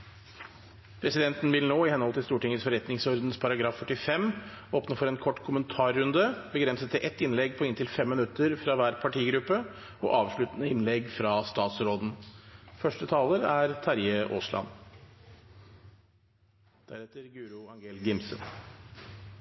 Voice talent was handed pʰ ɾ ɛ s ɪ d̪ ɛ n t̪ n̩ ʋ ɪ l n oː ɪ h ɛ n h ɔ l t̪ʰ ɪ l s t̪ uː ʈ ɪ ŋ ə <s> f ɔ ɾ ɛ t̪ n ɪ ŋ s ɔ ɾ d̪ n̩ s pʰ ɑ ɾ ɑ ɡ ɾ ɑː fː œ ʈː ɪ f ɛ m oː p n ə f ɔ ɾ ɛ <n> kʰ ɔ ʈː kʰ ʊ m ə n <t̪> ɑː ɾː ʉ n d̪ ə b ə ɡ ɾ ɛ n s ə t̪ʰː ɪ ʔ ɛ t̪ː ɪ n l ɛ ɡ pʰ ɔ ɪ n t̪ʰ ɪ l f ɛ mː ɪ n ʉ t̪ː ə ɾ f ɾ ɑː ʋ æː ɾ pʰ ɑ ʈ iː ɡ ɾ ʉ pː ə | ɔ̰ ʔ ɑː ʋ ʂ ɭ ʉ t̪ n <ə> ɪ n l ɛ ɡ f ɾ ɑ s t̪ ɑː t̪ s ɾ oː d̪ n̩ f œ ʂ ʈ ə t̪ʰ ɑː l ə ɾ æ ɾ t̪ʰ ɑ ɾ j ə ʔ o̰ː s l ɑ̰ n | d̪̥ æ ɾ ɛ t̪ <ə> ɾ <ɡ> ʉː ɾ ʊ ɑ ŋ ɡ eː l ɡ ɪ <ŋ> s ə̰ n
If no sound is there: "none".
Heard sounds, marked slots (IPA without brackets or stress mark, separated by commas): s, n, t̪ʰ, ə, ə, ɡ, m